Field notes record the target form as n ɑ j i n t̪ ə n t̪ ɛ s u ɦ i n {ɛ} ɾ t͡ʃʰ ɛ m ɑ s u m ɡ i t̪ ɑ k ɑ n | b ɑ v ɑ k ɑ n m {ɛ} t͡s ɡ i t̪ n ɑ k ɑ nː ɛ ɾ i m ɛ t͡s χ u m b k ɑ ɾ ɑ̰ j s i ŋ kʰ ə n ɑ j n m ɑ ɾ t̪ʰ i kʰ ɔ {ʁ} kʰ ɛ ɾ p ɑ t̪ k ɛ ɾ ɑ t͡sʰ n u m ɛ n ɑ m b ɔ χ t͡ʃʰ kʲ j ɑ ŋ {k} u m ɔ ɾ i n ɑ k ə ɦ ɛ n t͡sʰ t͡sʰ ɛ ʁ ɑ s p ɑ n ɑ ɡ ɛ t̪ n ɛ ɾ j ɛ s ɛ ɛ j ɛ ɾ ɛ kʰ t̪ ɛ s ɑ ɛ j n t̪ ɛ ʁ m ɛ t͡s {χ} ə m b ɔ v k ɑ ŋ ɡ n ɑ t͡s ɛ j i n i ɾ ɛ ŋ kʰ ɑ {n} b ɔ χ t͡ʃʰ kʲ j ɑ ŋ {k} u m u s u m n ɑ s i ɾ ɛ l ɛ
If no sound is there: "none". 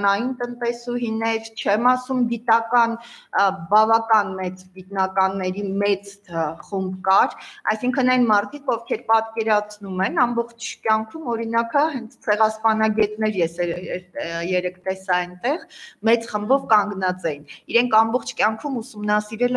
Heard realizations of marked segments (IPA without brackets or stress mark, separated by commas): ɛ, ɛ, v, kʰ, χ, m, kʰ